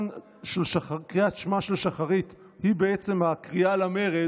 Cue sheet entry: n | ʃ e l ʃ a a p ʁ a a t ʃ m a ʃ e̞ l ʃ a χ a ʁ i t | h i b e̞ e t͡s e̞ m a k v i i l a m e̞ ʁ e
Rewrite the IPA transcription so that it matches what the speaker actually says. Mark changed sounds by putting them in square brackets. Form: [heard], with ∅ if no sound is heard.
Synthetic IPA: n | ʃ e l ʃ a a [k] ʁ [i] a t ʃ m a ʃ e̞ l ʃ a χ a ʁ i t | h i b e̞ e t͡s e̞ m a k [ʁ] i [a] l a m e̞ ʁ e